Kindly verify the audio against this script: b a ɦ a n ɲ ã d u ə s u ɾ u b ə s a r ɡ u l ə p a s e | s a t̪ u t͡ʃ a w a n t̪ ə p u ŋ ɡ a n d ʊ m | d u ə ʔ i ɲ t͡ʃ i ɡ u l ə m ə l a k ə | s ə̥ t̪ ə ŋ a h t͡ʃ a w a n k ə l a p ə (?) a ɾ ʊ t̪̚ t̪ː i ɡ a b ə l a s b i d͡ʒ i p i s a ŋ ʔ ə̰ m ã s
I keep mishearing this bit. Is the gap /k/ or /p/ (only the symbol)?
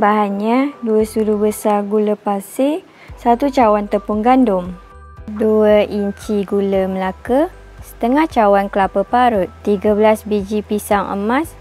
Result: p